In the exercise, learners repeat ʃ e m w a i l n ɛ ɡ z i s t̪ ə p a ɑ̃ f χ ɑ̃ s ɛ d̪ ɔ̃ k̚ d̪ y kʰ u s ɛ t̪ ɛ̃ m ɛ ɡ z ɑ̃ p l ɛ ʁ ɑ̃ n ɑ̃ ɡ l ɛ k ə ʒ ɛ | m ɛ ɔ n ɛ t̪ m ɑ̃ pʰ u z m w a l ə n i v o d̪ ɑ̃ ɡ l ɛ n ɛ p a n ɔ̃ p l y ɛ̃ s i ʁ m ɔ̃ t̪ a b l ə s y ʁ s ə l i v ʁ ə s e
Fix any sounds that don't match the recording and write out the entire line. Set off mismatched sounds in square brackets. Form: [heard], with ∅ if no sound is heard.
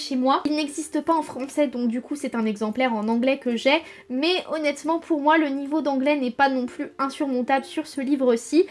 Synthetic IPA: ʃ e m w a i l n ɛ ɡ z i s t̪ ə p a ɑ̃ f χ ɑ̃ s ɛ d̪ ɔ̃ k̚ d̪ y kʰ u s ɛ t̪ ɛ̃ [n] ɛ ɡ z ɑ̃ p l ɛ ʁ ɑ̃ n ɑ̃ ɡ l ɛ k ə ʒ ɛ | m ɛ ɔ n ɛ t̪ m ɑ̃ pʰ u [ʁ] m w a l ə n i v o d̪ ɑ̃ ɡ l ɛ n ɛ p a n ɔ̃ p l y ɛ̃ s [y] ʁ m ɔ̃ t̪ a b l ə s y ʁ s ə l i v ʁ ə s [i]